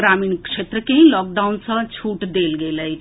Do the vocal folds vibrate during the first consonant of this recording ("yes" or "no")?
yes